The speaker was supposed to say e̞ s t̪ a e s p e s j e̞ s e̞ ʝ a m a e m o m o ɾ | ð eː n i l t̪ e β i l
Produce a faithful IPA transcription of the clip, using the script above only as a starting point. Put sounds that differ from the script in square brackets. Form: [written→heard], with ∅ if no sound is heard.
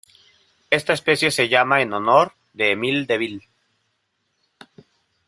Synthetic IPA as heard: e̞ s t̪ a e s p e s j e̞ s e̞ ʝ a m a e [m→n] o [m→n] o ɾ | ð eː [n→m] i l [t̪→d̪] e β i l